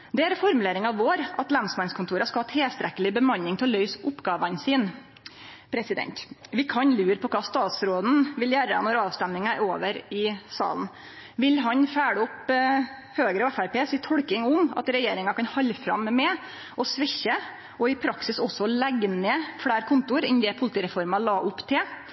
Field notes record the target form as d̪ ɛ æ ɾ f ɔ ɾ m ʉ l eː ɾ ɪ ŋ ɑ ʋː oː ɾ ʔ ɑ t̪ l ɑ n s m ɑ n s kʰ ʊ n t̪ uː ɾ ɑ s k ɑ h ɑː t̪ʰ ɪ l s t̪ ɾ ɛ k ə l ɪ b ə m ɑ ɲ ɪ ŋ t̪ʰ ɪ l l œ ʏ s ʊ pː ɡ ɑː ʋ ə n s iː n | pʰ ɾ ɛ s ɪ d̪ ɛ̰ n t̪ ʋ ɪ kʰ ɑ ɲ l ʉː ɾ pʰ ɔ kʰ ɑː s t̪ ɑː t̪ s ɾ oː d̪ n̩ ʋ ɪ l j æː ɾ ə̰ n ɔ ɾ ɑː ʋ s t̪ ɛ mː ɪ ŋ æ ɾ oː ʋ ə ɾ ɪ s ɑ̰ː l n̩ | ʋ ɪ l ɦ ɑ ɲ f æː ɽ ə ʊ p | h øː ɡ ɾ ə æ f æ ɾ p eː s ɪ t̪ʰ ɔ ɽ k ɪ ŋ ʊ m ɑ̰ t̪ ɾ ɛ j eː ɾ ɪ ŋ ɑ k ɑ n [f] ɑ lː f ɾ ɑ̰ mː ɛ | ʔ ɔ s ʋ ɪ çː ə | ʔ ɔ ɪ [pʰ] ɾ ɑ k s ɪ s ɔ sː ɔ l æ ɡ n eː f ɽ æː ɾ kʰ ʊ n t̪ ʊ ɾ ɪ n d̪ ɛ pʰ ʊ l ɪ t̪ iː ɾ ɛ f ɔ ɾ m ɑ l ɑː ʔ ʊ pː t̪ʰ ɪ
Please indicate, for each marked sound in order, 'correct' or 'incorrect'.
incorrect: h, correct

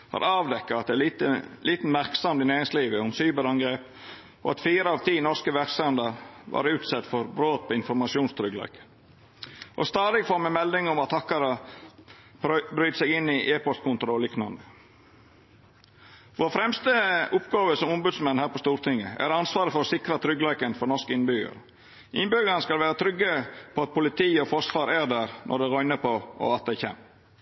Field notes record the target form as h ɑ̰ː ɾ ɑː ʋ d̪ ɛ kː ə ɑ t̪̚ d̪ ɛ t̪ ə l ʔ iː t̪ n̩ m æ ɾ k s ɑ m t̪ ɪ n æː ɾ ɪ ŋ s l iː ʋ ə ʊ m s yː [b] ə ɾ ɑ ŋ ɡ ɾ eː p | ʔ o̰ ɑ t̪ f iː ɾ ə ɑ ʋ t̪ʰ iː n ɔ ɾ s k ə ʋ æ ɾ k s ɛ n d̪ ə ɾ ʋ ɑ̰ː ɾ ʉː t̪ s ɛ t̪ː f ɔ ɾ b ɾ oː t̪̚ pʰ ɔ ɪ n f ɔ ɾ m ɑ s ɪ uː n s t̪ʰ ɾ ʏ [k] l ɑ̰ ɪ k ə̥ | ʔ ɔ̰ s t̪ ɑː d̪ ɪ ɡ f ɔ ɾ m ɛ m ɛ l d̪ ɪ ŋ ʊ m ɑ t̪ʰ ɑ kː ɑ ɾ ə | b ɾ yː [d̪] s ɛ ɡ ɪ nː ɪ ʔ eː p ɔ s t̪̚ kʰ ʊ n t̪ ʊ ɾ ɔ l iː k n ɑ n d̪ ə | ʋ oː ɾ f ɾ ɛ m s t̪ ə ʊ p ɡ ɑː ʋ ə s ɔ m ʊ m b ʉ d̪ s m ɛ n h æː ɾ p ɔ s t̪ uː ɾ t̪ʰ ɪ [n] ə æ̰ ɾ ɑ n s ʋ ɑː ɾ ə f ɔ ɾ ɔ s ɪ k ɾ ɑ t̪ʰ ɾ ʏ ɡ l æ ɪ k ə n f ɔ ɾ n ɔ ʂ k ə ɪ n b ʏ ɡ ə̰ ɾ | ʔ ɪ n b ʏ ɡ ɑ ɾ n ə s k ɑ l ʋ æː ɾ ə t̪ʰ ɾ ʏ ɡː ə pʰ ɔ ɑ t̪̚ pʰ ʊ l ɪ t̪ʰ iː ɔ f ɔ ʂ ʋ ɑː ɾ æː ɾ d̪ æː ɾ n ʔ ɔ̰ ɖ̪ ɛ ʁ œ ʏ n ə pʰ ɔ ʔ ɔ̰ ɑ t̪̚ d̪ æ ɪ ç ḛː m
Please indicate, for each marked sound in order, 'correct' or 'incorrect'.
correct, incorrect: ɡ, incorrect: t̪, incorrect: ŋ

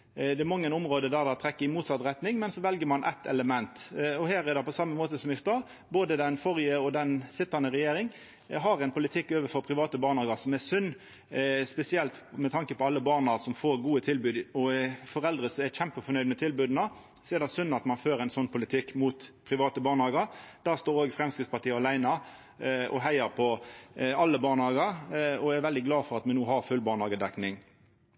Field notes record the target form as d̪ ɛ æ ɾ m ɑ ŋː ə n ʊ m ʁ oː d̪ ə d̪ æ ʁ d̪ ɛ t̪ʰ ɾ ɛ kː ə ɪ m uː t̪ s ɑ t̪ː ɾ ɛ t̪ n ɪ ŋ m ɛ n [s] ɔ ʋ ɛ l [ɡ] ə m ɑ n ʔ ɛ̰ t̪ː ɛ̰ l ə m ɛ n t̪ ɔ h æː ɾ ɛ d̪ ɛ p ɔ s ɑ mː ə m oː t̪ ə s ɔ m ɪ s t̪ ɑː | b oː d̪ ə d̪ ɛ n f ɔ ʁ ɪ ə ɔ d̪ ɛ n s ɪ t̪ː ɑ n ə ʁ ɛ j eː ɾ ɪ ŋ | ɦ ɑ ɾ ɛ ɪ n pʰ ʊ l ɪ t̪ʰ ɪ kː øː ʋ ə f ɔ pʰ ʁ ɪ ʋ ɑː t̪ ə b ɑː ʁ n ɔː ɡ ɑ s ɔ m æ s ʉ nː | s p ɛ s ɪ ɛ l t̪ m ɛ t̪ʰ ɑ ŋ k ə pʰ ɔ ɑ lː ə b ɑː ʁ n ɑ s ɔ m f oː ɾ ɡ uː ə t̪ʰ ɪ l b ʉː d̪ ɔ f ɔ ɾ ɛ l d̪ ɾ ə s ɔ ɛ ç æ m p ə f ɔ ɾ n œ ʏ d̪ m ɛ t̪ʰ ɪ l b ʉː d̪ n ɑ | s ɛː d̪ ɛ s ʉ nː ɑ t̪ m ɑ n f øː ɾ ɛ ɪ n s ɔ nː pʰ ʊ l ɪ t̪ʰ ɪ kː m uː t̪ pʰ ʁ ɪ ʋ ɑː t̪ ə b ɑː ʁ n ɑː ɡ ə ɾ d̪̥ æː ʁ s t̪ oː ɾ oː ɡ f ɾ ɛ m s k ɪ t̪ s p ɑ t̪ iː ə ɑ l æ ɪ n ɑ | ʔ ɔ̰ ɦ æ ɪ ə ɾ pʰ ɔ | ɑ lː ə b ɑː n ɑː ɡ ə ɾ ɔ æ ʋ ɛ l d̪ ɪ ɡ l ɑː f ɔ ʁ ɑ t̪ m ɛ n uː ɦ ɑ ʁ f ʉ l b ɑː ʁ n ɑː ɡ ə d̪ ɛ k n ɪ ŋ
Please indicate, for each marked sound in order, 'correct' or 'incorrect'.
correct, correct

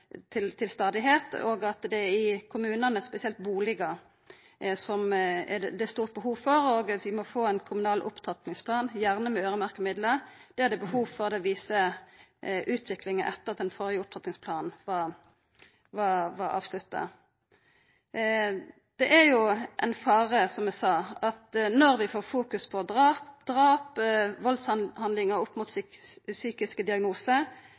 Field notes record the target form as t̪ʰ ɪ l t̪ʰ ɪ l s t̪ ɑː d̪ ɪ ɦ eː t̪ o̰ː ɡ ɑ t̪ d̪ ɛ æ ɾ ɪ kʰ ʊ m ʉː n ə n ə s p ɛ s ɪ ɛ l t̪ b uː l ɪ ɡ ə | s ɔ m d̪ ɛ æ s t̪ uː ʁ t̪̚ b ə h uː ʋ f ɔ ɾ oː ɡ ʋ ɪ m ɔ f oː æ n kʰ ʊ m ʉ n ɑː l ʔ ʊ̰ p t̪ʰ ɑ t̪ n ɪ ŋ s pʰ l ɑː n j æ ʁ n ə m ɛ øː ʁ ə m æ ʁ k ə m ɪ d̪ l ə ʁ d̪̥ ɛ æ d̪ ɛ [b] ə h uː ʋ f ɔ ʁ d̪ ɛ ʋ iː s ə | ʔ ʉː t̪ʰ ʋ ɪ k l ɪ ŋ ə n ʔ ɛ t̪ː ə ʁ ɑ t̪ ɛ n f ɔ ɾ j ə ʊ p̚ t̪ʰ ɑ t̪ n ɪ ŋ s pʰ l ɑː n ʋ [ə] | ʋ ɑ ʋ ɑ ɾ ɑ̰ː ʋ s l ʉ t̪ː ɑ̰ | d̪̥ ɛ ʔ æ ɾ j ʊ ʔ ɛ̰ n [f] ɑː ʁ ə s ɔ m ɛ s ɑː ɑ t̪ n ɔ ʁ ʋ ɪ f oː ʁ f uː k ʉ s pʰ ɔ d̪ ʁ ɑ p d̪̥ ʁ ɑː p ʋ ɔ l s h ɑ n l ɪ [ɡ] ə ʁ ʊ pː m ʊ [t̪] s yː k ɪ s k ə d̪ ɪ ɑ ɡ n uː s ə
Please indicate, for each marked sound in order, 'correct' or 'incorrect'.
correct, incorrect: ɑ, correct, incorrect: ŋ, correct

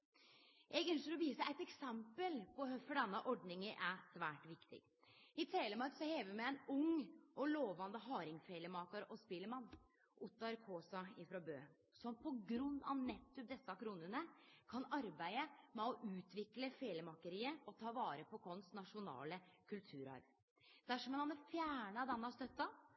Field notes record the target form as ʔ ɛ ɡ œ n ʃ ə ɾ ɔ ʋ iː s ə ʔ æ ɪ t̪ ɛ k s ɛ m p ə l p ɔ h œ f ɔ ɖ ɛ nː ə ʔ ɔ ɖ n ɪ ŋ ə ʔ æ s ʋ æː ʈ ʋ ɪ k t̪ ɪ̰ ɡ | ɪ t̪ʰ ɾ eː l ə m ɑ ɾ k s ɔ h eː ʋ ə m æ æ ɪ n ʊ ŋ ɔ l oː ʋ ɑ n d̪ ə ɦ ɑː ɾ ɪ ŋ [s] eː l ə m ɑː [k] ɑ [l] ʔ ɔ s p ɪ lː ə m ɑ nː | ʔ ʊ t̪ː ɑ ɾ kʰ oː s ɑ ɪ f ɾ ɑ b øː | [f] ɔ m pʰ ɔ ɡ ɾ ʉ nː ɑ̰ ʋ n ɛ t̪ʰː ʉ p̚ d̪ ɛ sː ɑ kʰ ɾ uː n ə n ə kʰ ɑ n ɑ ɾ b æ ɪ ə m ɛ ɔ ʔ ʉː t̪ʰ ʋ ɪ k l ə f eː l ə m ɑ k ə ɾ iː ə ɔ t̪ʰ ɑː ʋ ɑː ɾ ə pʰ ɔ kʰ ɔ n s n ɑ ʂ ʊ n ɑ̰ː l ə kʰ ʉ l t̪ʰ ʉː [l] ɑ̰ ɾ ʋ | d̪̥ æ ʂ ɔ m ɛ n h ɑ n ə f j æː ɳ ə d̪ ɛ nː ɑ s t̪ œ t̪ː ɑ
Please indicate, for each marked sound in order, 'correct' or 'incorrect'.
incorrect: f, correct, incorrect: ɾ, incorrect: s, incorrect: ɾ

